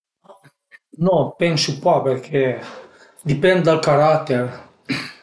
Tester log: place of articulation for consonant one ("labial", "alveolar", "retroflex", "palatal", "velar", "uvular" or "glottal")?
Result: alveolar